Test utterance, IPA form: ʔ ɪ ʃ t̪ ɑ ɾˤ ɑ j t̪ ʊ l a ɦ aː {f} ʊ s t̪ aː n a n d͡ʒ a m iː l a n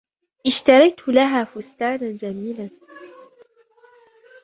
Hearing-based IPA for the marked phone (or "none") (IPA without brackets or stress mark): f